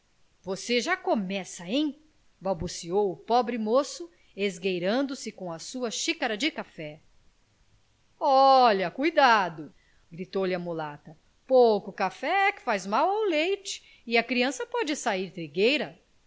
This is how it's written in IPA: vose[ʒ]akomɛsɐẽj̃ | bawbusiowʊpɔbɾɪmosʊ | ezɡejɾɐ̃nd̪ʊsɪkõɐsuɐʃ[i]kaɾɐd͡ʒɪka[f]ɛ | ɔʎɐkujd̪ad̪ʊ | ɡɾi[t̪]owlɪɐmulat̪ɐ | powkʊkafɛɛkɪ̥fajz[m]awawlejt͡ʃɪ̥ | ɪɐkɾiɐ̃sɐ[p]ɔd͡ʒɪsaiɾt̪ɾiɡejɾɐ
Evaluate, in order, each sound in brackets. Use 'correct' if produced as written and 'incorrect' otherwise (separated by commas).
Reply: correct, correct, correct, correct, correct, correct